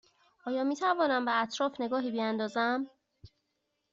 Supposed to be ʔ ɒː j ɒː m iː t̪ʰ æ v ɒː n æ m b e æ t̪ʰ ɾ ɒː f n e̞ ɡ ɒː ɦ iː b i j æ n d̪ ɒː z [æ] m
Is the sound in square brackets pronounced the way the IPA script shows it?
yes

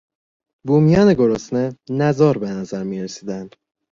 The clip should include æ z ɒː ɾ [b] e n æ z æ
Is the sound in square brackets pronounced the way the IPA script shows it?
yes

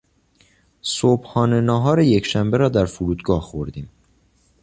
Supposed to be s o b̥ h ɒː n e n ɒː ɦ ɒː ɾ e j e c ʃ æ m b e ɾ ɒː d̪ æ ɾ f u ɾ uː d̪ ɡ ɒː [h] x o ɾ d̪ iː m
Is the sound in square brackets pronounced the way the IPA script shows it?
yes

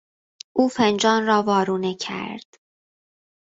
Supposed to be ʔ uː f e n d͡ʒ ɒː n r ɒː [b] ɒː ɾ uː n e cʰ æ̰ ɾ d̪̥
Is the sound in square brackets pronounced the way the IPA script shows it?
no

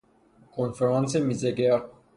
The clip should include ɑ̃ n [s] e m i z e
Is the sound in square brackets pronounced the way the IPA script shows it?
yes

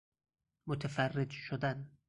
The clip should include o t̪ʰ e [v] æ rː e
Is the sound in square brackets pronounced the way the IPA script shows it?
no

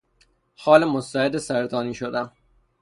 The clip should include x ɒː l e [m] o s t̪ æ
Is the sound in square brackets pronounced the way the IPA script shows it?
yes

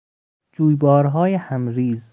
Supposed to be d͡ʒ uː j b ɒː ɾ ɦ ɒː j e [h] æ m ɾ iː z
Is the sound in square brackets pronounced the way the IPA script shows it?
yes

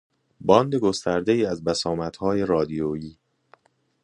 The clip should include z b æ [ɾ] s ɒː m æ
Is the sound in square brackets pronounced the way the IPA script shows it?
no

